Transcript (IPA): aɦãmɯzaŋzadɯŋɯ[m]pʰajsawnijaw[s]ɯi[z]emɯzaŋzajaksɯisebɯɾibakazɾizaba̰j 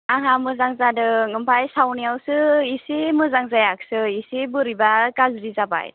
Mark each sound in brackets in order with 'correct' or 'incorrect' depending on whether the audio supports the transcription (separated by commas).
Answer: correct, correct, incorrect